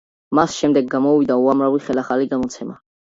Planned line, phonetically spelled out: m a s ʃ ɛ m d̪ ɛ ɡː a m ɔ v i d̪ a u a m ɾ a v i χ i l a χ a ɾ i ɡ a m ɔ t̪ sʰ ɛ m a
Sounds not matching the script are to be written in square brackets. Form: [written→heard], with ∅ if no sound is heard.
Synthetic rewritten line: m a s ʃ ɛ m d̪ ɛ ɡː a m ɔ v i d̪ a u a m ɾ a v i χ [i→ɛ] l a χ a [ɾ→l] i ɡ a m ɔ t̪ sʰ ɛ m a